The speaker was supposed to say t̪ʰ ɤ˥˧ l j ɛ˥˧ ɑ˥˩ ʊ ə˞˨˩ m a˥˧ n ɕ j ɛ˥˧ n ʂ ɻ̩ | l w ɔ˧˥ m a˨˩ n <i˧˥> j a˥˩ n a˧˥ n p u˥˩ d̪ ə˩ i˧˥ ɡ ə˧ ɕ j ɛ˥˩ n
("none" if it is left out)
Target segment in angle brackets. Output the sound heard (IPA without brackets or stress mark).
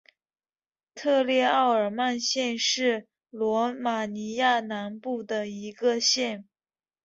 i˧˥